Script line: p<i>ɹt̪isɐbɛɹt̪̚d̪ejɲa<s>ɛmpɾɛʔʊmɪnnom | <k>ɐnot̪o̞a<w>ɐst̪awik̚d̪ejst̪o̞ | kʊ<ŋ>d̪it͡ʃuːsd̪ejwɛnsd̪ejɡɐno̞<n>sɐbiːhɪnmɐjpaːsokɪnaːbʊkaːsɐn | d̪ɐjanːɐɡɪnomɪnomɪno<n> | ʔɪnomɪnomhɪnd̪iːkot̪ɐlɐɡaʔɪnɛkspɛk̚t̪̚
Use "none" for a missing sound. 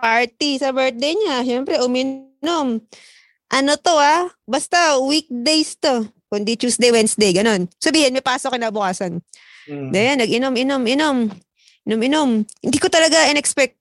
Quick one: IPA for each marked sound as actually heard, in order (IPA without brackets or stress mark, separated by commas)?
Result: a, ʃ, ʔ, b, n, n, m